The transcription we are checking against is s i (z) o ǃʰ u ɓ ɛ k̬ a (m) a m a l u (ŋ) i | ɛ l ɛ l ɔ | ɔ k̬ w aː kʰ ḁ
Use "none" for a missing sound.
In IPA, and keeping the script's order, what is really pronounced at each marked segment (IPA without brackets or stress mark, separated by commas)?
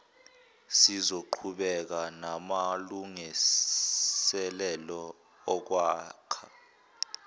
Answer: z, n, ŋ